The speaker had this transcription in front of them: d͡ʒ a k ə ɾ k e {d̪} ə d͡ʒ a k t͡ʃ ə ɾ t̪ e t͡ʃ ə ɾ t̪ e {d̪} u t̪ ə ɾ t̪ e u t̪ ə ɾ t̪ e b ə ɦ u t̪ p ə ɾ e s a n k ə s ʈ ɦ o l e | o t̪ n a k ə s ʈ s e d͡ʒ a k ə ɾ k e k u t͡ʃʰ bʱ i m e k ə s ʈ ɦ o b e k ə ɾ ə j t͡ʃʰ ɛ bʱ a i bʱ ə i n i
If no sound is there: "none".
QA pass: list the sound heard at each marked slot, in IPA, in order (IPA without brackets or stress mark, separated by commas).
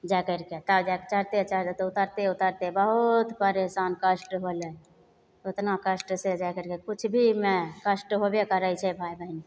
t̪, t̪